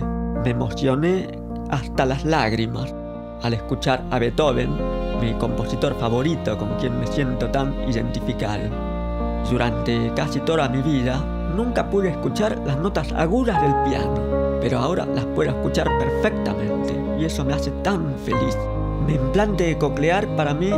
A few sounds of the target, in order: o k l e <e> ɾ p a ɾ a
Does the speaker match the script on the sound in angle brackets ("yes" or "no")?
no